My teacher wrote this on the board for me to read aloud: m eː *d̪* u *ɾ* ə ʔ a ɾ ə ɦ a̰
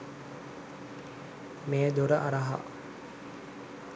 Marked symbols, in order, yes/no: yes, yes

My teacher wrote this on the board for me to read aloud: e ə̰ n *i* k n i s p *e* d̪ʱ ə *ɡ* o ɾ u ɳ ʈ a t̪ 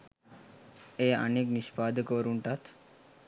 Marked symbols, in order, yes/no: no, no, no

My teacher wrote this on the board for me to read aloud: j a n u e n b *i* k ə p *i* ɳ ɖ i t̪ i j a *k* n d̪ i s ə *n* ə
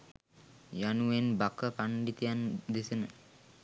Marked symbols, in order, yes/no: no, no, no, yes

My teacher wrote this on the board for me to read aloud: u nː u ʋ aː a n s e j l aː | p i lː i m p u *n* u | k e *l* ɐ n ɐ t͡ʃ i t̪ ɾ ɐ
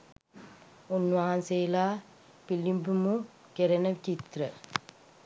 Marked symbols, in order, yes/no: no, no

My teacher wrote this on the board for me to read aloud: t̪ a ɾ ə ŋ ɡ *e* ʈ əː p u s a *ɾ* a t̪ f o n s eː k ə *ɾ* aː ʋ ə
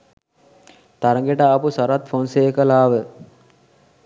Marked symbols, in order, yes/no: yes, yes, no

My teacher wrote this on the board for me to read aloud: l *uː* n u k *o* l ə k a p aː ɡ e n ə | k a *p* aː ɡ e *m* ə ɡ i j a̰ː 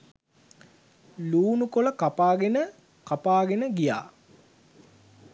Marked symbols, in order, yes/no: yes, yes, yes, no

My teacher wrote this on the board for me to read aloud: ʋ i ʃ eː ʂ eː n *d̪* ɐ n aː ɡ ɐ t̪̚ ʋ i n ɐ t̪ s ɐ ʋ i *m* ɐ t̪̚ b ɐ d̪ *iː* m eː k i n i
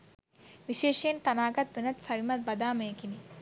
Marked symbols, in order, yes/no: no, yes, no

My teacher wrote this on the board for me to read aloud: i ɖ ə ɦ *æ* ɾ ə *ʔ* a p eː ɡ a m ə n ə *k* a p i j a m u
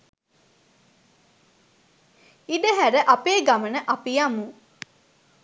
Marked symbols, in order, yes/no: yes, yes, no

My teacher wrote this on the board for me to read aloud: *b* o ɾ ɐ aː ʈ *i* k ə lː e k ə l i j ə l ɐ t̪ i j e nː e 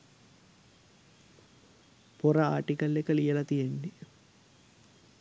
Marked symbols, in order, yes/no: no, yes

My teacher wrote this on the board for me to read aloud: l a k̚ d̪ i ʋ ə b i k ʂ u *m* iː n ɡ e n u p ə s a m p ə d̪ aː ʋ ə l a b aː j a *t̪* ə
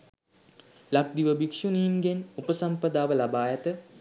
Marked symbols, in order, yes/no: no, yes

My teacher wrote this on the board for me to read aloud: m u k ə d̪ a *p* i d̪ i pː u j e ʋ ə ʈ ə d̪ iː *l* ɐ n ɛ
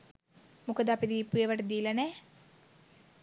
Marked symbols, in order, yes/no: yes, yes

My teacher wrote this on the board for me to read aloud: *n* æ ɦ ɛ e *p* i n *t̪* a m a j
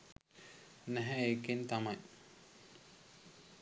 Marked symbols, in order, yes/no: yes, no, yes

